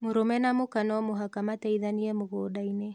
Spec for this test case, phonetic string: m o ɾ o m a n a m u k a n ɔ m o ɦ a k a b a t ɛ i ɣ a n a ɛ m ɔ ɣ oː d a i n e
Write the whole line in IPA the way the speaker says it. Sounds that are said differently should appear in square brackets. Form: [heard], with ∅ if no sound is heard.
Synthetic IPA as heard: m o ɾ o m [ɛ] n a m [o] k a n ɔ m o ɦ a k a [m] a t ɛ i [ð] a n [i] ɛ m [o] ɣ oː d a i n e